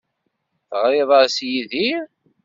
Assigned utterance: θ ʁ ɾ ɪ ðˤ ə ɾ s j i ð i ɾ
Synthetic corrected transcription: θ ʁ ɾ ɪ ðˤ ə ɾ s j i ð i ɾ